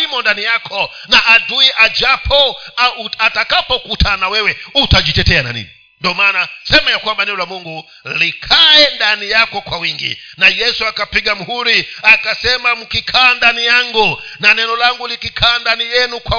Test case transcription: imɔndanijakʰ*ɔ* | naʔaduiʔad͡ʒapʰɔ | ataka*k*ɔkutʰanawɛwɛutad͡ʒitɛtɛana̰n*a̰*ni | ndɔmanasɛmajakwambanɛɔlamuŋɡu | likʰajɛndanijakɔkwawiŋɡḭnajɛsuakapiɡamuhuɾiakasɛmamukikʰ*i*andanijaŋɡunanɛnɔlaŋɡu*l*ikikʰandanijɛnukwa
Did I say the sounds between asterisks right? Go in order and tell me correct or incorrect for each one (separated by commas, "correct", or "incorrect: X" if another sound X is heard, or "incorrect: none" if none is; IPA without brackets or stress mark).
correct, incorrect: p, incorrect: ḭ, incorrect: a, correct